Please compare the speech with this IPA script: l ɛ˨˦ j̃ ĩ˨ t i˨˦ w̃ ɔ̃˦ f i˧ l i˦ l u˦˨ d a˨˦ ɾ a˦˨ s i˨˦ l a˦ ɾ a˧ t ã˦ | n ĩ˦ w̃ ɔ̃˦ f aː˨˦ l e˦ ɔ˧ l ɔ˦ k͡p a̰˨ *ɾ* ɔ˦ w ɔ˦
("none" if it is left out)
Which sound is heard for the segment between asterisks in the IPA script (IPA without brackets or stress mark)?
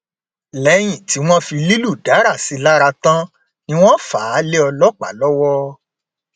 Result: l